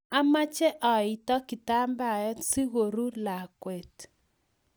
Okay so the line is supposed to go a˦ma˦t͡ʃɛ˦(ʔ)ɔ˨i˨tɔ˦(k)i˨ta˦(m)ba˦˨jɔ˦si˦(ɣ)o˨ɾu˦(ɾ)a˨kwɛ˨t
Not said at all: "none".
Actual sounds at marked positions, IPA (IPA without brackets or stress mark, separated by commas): ʔ, k, m, ɣ, l